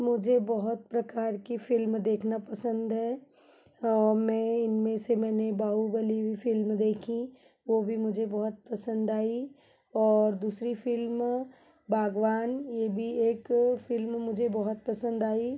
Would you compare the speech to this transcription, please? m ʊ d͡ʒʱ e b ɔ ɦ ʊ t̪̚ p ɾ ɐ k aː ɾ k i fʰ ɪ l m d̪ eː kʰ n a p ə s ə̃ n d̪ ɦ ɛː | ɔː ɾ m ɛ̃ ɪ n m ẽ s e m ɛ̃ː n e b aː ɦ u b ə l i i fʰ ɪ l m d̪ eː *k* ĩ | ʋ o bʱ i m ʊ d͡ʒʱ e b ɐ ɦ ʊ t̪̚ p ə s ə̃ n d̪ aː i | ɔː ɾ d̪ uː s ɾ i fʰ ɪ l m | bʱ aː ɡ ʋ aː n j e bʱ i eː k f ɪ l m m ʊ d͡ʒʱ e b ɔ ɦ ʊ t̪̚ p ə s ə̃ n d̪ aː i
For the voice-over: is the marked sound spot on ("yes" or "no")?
no